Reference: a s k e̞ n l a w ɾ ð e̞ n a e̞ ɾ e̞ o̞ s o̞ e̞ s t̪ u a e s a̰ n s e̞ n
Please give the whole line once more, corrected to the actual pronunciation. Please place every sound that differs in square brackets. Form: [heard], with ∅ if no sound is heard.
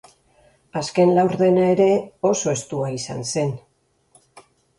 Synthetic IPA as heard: a s k e̞ n l a w ɾ ð e̞ n a e̞ ɾ e̞ o̞ s o̞ e̞ s t̪ u a [i] s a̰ n s e̞ n